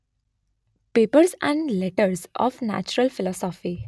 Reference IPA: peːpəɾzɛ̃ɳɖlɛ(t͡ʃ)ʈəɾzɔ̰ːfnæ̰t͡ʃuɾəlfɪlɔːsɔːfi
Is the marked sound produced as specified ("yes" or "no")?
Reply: no